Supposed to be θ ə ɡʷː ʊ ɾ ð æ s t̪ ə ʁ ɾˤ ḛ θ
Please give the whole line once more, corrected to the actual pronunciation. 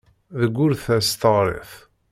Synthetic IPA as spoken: ð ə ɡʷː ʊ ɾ θ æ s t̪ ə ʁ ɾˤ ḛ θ